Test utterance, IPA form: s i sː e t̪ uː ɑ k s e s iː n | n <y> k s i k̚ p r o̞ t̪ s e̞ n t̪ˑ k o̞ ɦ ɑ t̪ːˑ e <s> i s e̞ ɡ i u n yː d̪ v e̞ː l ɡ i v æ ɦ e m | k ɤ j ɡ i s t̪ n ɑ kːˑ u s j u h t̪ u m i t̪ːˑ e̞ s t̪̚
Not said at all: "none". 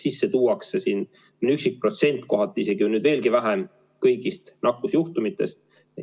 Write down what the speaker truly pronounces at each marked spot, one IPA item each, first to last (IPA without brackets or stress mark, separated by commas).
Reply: y, none